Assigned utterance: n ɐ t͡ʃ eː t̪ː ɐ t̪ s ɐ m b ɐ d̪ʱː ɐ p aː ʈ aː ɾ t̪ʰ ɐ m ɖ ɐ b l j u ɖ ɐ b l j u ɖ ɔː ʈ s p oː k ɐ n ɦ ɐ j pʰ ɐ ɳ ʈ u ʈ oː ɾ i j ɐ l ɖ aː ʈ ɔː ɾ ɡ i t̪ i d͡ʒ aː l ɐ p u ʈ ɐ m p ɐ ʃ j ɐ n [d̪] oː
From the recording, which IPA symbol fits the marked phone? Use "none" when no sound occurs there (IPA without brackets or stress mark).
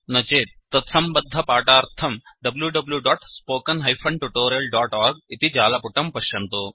t̪